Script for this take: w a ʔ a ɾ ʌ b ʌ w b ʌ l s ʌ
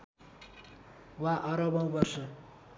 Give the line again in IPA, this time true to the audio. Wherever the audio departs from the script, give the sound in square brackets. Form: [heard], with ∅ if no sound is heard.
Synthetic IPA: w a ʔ [ʌ] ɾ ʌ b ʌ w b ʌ [r] s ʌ